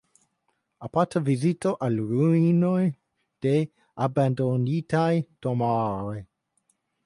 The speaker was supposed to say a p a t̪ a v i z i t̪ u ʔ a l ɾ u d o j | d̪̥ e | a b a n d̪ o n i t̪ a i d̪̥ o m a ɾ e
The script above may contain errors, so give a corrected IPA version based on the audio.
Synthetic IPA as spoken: a p a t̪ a v i z i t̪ o ʔ a l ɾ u n o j | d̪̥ e | a b a n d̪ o n i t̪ a j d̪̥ o m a ɾ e